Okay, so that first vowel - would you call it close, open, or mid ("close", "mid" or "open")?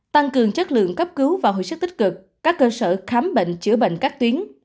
open